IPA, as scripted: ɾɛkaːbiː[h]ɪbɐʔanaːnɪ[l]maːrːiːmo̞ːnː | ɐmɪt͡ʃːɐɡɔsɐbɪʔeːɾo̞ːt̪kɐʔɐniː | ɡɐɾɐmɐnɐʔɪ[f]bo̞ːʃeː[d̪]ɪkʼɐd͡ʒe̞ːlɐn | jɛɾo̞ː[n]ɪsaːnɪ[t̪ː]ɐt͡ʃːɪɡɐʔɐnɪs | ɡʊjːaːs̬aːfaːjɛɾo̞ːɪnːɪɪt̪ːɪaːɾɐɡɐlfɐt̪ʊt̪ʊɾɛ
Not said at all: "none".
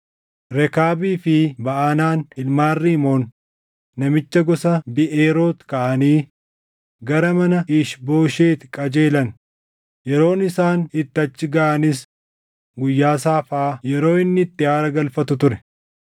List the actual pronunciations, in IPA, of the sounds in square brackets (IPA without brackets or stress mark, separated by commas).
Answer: f, l, ʃ, t̪, n, t̪ː